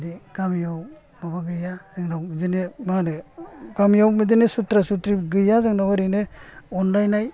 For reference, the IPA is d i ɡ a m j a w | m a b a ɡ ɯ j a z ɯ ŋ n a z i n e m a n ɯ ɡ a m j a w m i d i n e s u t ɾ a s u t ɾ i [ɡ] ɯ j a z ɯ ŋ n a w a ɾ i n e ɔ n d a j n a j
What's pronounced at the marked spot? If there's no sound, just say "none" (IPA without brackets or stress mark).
ɡ